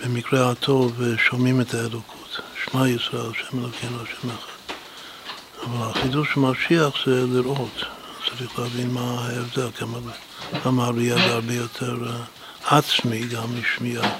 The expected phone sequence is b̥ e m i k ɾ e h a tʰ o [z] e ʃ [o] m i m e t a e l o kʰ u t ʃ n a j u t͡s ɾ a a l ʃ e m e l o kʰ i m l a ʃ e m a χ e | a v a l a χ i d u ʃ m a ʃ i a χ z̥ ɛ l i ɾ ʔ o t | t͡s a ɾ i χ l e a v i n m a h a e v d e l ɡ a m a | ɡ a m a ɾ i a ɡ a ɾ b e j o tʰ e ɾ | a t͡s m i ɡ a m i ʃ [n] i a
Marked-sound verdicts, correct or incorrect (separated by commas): incorrect, correct, incorrect